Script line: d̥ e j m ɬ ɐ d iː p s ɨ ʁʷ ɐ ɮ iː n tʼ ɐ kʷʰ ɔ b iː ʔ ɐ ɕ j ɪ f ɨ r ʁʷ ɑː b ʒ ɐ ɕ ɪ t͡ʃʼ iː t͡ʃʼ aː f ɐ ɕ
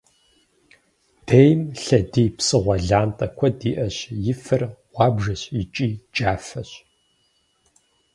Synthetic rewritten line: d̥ e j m ɬ ɐ d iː p s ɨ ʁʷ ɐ ɮ aː n tʼ ɐ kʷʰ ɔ d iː ʔ ɐ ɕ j ɪ f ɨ r ʁʷ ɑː b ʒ ɐ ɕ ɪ t͡ʃʼ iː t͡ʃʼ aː f ɐ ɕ